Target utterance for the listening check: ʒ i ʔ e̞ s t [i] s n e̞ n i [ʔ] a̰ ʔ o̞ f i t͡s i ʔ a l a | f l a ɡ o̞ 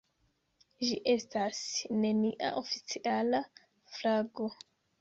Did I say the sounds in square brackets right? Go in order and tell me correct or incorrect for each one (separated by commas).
incorrect, correct